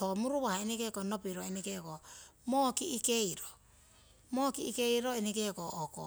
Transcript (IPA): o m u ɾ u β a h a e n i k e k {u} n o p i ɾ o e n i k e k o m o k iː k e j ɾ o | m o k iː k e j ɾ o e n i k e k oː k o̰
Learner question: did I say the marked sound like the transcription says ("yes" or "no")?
no